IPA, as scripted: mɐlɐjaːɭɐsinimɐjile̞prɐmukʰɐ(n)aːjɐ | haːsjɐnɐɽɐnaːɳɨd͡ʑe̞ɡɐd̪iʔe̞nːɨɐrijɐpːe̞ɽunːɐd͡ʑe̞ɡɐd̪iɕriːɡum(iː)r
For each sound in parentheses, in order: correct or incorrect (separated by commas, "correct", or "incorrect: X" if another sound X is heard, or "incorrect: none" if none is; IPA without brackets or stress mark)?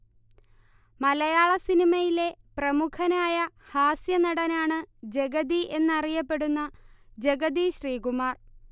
correct, incorrect: aː